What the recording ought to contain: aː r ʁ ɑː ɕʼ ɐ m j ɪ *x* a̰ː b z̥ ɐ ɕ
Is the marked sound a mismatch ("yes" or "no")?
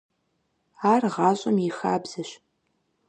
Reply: no